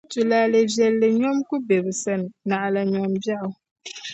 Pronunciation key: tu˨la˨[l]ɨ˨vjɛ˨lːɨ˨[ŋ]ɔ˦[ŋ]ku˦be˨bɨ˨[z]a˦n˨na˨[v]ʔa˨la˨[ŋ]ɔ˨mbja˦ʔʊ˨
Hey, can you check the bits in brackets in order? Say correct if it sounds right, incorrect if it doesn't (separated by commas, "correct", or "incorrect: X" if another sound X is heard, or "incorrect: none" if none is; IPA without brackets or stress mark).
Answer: correct, incorrect: ɲ, incorrect: m, incorrect: s, incorrect: none, incorrect: ɲ